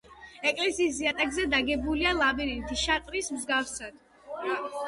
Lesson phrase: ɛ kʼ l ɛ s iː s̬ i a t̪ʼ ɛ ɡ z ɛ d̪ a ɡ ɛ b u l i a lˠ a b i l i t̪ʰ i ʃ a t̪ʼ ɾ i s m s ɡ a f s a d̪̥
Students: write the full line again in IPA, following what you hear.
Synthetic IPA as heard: ɛ kʼ l ɛ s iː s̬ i a t̪ʼ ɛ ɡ z ɛ d̪ a ɡ ɛ b u l i a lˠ a b i ɾ i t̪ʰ i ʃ a t̪ʼ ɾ i s m z ɡ a f s a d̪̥